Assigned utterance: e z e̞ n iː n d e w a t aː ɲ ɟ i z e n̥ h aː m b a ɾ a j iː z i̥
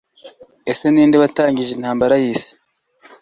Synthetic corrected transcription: e s e̞ n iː n d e β a t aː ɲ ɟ i ʒ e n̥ h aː m b a ɾ a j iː s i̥